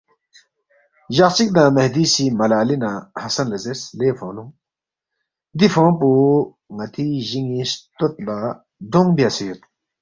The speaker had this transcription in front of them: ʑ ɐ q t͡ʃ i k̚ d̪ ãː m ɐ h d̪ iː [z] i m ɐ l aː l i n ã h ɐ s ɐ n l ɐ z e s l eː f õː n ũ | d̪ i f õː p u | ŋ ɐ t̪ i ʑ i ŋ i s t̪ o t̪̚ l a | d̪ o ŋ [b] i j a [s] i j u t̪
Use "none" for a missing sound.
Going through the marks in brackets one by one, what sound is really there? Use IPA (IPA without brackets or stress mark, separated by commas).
s, b, s